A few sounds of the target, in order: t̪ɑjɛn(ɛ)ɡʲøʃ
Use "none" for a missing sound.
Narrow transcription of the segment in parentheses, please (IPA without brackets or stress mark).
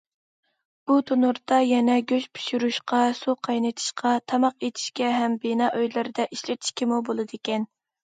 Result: ɛ